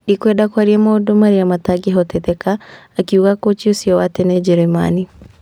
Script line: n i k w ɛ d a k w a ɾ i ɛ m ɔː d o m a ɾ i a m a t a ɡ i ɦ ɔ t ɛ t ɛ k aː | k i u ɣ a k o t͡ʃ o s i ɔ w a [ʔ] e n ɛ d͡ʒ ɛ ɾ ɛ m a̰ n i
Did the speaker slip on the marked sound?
yes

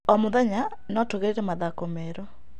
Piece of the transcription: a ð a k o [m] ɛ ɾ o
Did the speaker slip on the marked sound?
no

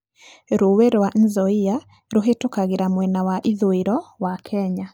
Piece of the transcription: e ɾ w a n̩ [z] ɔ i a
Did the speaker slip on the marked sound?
no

